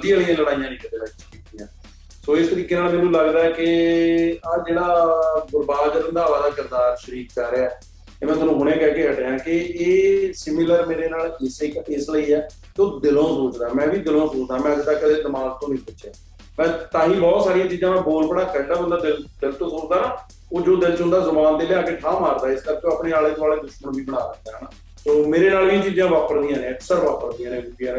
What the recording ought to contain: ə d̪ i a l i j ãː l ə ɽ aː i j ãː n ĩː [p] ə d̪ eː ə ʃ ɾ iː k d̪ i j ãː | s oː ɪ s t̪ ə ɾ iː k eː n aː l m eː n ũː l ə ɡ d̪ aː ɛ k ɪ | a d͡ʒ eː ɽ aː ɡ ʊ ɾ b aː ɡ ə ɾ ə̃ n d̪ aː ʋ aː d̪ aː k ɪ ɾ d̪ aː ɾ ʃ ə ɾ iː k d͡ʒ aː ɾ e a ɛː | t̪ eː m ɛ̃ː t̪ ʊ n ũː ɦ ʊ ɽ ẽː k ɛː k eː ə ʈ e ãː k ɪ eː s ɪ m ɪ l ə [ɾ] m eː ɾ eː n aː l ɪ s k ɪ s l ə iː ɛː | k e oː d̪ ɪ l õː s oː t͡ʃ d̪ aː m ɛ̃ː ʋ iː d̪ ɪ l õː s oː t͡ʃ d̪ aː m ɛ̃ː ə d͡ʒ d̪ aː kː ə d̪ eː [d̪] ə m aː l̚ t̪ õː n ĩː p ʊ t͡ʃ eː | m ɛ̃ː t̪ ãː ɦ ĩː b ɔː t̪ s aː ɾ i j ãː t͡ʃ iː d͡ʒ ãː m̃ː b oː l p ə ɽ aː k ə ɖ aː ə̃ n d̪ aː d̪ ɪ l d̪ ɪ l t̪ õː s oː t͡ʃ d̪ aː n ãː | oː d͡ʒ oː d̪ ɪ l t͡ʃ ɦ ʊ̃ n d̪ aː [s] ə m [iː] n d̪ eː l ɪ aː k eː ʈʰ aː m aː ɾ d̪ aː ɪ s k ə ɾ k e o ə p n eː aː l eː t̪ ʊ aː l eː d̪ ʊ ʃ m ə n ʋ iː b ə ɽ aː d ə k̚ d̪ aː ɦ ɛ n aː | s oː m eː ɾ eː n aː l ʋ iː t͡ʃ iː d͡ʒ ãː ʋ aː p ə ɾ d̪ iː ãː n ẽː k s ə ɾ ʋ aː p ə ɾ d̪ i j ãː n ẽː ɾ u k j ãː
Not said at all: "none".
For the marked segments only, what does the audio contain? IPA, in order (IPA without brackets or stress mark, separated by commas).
k, ɾ, d̪, z, aː